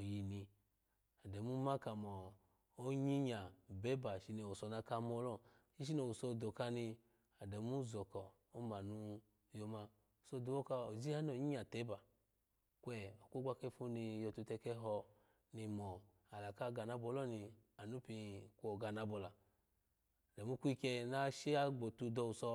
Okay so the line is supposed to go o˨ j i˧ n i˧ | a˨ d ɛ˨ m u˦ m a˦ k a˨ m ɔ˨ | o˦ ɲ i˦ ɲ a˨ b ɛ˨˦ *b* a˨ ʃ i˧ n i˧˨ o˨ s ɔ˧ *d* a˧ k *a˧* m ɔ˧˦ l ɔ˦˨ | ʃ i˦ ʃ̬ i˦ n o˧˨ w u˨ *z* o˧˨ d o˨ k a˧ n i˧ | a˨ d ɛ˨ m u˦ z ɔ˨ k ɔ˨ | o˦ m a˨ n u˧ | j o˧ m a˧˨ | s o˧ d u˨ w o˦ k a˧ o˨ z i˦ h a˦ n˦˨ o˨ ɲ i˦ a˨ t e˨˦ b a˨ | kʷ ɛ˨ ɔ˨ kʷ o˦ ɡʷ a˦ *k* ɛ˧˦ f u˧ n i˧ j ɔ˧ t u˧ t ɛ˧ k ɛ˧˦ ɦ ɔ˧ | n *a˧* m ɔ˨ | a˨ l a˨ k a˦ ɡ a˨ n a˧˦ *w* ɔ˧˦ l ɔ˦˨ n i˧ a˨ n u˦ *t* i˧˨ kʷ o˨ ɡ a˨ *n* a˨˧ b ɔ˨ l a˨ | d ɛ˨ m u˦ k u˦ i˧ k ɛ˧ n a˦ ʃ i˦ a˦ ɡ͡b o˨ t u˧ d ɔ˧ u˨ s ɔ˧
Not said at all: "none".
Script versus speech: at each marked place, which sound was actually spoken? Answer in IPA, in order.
b, n, a˧, s, k, i˧, b, p, n

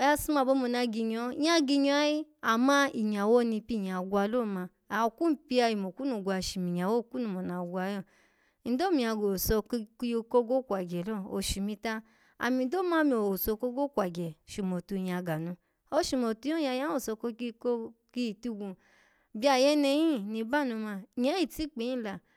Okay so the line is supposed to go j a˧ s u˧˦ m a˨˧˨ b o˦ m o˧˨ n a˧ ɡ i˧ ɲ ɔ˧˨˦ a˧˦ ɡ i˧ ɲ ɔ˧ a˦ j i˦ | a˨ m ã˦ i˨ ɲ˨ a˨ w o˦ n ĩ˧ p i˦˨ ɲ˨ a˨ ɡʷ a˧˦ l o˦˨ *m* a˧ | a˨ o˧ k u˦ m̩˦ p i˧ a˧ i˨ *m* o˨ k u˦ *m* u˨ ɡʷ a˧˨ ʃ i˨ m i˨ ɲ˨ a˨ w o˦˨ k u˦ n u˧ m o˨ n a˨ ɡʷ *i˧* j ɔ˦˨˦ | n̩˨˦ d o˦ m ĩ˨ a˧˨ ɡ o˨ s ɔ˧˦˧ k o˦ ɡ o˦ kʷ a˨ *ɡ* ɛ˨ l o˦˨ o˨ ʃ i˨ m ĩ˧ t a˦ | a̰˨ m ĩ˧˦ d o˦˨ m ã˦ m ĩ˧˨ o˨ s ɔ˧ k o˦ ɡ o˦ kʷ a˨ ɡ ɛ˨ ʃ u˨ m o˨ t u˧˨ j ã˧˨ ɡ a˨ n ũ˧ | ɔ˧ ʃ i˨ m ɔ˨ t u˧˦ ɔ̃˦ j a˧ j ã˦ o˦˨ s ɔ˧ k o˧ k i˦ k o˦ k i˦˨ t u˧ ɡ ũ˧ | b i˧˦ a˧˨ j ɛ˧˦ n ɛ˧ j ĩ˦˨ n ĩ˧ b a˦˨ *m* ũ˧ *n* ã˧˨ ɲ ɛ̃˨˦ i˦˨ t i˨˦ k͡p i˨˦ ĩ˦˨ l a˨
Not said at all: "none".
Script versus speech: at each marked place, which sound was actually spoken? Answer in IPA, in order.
m, m, n, a˧, ɡ, n, m

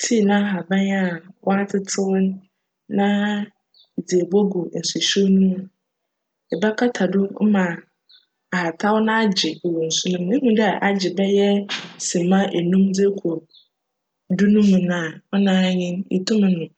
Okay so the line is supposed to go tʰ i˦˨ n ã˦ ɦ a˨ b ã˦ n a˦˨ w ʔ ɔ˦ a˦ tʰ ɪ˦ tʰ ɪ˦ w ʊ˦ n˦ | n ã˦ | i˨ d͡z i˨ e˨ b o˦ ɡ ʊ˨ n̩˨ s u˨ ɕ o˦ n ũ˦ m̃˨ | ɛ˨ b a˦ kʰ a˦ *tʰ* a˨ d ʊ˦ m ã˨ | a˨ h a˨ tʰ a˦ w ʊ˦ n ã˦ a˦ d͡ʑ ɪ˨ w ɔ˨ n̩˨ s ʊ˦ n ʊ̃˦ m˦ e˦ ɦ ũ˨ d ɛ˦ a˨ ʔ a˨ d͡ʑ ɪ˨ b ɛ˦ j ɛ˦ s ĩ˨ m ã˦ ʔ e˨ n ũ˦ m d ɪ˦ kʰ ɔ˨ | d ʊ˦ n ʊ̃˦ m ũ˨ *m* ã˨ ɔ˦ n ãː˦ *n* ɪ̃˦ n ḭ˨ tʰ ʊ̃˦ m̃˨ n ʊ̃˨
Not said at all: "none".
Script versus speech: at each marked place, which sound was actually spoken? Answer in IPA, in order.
tʰ, n, ɲ

